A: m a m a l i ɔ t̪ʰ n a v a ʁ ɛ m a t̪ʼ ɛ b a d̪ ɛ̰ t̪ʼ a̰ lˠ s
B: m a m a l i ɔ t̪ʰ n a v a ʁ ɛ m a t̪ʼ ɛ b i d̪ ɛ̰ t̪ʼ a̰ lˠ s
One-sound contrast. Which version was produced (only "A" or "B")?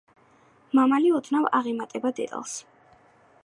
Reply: A